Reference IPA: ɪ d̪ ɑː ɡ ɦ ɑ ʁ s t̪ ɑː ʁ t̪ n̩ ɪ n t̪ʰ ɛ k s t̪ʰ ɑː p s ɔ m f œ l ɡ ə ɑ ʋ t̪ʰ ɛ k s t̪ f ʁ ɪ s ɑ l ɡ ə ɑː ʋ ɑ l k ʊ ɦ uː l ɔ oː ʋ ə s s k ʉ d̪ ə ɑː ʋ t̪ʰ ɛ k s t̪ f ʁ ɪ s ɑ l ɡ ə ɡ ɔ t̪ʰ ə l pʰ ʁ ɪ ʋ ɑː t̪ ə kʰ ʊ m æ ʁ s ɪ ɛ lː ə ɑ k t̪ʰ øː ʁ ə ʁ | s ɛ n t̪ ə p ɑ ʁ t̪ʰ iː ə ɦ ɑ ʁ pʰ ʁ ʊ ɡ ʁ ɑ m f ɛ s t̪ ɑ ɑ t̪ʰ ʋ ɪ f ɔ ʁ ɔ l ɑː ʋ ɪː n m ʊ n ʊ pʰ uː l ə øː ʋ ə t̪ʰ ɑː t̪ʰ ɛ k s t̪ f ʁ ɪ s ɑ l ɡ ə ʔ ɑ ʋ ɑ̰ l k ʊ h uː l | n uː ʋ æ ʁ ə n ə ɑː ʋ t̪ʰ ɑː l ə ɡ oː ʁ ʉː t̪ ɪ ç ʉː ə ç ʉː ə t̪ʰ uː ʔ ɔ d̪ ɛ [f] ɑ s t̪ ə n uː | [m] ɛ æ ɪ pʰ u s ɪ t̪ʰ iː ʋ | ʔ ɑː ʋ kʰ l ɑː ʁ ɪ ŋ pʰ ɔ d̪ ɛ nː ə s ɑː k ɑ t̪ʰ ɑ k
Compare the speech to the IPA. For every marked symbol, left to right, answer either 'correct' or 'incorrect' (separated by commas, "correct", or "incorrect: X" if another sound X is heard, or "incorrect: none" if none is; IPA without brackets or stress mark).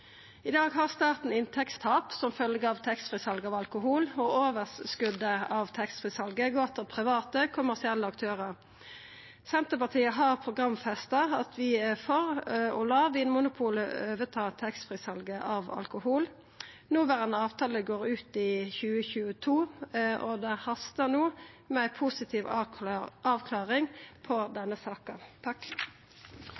incorrect: h, correct